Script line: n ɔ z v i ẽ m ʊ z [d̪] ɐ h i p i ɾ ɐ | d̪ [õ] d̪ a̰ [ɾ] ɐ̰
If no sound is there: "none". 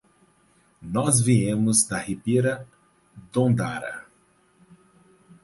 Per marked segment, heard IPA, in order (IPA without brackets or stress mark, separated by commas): d̪, õ, ɾ